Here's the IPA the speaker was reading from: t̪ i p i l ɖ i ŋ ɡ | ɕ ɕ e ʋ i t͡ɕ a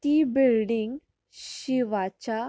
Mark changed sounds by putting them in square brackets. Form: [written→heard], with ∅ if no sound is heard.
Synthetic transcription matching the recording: t̪ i [p→b] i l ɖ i ŋ ɡ | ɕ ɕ [e→i] ʋ [i→a] t͡ɕ a

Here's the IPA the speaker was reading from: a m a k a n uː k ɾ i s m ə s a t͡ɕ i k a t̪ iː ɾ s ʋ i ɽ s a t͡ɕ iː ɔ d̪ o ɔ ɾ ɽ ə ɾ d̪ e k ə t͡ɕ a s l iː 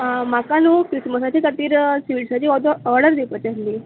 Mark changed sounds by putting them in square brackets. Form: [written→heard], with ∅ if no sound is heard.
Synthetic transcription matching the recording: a m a k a n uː k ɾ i s m ə s a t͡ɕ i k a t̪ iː ɾ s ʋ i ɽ s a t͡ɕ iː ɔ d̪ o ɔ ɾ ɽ ə ɾ d̪ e [k→p] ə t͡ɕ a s l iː

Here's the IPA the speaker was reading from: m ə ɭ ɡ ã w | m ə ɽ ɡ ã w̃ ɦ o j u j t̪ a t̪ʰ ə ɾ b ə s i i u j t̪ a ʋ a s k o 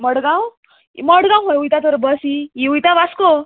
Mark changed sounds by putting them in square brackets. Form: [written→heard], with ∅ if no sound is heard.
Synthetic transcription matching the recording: m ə [ɭ→ɽ] ɡ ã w | m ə ɽ ɡ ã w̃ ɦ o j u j t̪ a [t̪ʰ→t̪] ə ɾ b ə s i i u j t̪ a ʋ a s k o

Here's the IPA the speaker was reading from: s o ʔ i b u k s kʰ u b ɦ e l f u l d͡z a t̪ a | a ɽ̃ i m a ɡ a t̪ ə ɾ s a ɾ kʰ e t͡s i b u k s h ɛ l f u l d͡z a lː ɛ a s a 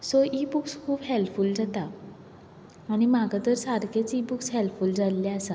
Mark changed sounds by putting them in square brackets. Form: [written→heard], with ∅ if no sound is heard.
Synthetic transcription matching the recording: s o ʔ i b u k s kʰ [u→uː] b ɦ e l f u l d͡z a t̪ a | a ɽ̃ i m a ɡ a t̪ ə ɾ s a ɾ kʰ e t͡s i b u k s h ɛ l f u l d͡z a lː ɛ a s a

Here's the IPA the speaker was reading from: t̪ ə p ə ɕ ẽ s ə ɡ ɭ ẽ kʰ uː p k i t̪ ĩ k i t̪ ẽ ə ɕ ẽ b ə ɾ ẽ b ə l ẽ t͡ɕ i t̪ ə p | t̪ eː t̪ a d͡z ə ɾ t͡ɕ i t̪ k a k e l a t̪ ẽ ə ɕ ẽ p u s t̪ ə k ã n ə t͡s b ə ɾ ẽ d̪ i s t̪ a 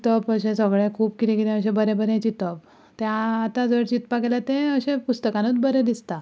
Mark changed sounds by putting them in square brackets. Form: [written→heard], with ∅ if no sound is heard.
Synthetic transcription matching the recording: t̪ ə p ə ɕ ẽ s ə ɡ ɭ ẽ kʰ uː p k i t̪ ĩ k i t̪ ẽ ə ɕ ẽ b ə ɾ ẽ b ə [l→ɾ] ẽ t͡ɕ i t̪ ə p | t̪ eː t̪ a d͡z ə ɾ t͡ɕ i t̪ [k→p] a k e l a t̪ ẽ ə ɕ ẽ p u s t̪ ə k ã n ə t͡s b ə ɾ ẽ d̪ i s t̪ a

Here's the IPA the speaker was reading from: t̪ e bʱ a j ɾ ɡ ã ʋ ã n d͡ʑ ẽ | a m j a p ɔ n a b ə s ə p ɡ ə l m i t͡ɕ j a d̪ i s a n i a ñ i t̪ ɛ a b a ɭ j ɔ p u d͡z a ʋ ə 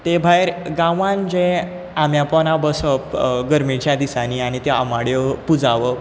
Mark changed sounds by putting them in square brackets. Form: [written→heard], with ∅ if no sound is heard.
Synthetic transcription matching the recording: t̪ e bʱ a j ɾ ɡ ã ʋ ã n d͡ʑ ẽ | a m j a p ɔ n a b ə s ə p ɡ ə [l→ɾ] m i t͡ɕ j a d̪ i s a n i a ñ i t̪ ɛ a [b→m] a [ɭ→ɽ] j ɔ p u d͡z a ʋ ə

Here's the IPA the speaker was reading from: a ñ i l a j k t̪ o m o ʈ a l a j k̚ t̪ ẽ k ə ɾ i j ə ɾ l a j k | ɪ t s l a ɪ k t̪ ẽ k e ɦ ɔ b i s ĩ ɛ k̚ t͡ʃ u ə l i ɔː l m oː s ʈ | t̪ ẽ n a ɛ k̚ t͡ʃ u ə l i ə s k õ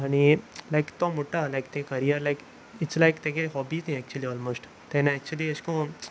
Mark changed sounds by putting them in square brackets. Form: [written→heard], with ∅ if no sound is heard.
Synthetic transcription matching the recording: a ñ i l a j k t̪ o m o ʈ a l a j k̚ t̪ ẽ k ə ɾ i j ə ɾ l a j k | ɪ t s l a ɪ k t̪ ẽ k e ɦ ɔ b i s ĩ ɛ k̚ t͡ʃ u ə l i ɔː l m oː s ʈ | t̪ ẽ n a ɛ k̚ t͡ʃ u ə l i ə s k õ

